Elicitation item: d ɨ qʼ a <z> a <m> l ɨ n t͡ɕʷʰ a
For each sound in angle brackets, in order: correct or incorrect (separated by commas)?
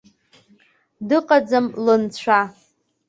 incorrect, correct